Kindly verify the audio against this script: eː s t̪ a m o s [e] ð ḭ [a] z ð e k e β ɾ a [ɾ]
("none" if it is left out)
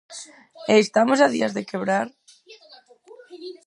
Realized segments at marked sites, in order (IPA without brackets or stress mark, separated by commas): a, a, ɾ